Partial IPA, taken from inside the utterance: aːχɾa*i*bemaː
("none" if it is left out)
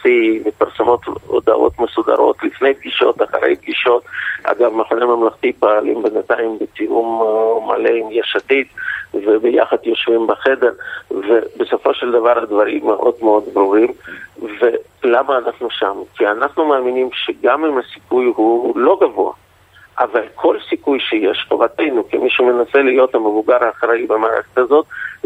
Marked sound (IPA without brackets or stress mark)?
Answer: i